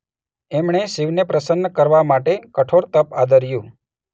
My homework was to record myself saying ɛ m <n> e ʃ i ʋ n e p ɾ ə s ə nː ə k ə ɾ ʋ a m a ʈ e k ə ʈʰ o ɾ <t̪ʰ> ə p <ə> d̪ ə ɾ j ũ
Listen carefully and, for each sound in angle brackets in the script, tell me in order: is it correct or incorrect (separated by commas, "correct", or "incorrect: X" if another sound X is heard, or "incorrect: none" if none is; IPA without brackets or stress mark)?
incorrect: ɳ, incorrect: t̪, incorrect: a